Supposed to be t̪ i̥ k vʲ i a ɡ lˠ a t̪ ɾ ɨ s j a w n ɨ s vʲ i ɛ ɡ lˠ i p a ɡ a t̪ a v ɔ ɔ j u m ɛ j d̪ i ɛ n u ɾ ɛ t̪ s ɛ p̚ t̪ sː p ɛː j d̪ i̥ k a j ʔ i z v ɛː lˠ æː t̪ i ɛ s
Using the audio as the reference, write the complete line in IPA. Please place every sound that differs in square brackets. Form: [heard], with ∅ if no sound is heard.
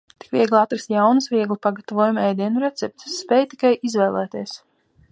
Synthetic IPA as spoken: t̪ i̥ k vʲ i [ɛ] ɡ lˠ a t̪ ɾ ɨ s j a w n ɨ s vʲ i ɛ ɡ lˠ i p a ɡ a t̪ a v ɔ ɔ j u m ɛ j d̪ i ɛ n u ɾ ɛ t̪ s ɛ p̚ t̪ sː p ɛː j [t̪] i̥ k a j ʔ i z v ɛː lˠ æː t̪ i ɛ s